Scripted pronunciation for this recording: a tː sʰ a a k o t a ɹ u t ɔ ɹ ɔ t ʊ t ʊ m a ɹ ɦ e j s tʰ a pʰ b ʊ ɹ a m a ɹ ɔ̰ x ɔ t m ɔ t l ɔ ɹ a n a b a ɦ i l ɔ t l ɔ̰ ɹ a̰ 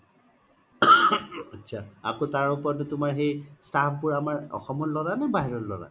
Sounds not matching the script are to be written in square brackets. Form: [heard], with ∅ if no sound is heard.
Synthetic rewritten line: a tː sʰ a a k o t a ɹ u [p] ɔ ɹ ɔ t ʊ t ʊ m a ɹ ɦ e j s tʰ a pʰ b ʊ ɹ a m a ɹ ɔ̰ x ɔ [∅] m ɔ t l ɔ ɹ a n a b a ɦ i [ɹ] ɔ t l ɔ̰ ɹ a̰